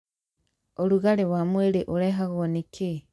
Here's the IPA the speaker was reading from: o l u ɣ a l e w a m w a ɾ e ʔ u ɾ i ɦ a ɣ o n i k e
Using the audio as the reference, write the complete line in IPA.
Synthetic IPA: o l u ɣ a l e w a m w e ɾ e ʔ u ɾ e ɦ a ɣ o n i k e